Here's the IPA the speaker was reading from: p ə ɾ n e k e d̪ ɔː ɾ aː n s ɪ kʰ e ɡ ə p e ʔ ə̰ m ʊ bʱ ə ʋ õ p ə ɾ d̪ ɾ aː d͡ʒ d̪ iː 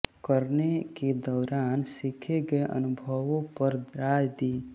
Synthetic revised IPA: k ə ɾ n e k e d̪ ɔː ɾ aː n s ɪ kʰ e ɡ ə e ʔ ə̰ n ʊ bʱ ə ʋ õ p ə ɾ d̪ ɾ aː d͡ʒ d̪ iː